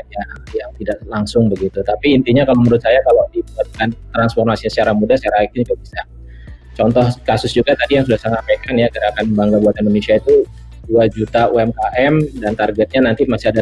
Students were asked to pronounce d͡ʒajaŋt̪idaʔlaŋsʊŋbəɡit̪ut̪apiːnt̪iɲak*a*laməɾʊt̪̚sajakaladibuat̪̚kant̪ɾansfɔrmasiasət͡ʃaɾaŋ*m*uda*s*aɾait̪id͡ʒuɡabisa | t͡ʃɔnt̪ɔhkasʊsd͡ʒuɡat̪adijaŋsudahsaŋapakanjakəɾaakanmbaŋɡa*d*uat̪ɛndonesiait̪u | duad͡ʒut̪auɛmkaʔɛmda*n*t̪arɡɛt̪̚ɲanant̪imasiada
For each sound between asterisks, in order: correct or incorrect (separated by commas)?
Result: correct, correct, correct, incorrect, correct